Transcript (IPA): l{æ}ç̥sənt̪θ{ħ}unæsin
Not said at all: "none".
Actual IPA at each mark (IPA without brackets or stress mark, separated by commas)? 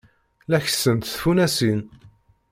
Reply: æ, f